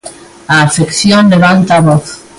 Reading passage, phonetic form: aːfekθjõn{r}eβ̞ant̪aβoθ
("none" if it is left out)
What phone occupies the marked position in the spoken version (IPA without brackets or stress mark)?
l